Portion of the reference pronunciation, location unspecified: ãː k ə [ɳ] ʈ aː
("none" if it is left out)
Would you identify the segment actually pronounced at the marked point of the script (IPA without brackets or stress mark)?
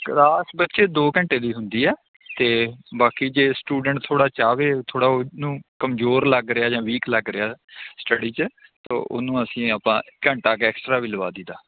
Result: ɳ